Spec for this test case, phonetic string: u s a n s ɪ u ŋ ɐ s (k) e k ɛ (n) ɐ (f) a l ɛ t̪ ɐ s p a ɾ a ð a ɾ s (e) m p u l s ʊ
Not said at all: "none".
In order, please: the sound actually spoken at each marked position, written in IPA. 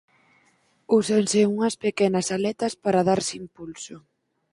p, n, s, i

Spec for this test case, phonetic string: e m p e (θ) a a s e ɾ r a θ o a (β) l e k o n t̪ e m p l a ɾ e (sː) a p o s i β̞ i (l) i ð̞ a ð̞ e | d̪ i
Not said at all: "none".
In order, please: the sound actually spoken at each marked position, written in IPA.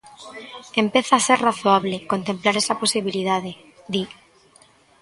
θ, β, s, l

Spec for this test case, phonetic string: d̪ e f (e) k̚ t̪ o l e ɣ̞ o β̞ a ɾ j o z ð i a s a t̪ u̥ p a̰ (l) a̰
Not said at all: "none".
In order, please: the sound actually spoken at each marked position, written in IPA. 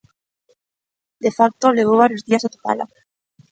a, l

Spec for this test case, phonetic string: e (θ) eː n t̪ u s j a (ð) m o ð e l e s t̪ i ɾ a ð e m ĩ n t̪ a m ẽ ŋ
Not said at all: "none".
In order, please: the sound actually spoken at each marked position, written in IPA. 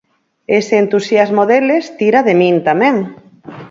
s, z

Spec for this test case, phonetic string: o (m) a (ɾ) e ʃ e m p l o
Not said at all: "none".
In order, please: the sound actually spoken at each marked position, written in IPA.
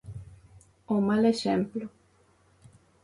m, l

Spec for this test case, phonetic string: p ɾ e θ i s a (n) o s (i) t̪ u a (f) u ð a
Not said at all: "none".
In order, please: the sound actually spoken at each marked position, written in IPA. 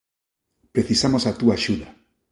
m, a, ʃ

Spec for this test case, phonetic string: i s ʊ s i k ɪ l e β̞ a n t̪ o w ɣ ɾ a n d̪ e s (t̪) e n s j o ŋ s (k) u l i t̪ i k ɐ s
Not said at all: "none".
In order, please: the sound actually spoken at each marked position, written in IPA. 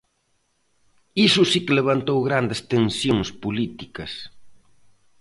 t̪, p

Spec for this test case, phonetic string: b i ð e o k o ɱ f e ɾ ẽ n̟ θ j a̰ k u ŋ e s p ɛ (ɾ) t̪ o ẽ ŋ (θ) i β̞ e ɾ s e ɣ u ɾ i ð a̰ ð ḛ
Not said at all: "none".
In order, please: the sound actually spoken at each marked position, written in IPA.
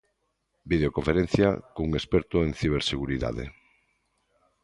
ɾ, θ

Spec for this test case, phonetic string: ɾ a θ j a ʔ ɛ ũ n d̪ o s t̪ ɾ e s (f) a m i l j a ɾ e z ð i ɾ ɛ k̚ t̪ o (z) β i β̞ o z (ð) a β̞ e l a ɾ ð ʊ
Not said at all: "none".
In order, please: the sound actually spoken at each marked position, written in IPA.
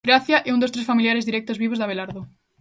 f, z, ð

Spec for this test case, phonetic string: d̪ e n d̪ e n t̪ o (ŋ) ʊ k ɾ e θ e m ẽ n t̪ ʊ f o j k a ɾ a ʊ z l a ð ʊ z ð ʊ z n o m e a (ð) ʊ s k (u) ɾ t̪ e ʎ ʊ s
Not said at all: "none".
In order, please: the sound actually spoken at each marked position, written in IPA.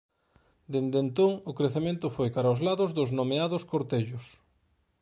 ŋ, ð, o

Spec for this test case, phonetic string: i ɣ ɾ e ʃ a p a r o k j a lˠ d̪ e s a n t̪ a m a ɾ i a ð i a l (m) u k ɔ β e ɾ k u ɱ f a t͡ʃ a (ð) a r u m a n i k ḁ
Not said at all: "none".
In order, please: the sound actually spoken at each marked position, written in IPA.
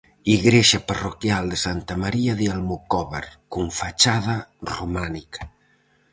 m, ð

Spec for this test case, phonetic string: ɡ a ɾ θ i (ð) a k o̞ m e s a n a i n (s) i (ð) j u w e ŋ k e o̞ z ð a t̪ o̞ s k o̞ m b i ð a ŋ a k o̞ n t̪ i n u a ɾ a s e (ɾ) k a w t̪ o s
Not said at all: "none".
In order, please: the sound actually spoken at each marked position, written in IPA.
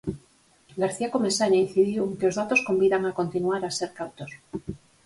none, θ, ð, ɾ

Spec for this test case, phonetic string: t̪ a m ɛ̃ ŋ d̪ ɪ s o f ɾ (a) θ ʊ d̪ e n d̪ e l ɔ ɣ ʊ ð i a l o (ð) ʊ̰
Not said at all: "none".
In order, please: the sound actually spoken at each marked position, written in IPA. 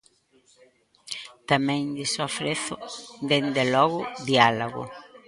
e, ɣ

